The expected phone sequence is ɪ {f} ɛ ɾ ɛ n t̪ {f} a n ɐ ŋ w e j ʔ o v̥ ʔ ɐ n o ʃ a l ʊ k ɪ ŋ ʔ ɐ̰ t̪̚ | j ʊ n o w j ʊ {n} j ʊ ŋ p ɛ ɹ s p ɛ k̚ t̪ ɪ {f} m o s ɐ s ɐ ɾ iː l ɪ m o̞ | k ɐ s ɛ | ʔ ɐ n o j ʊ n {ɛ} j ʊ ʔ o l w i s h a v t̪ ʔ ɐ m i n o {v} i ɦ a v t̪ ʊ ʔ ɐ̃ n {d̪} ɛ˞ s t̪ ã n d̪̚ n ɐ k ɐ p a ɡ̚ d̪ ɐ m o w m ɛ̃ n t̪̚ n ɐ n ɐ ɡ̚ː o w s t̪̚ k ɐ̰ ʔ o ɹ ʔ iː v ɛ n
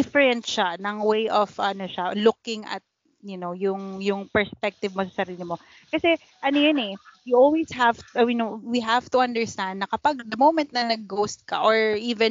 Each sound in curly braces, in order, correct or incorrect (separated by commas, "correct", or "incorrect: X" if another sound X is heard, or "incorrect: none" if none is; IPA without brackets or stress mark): correct, incorrect: ʃ, incorrect: ŋ, incorrect: v, correct, incorrect: w, correct